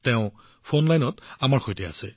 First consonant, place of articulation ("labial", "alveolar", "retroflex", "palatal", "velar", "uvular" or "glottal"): alveolar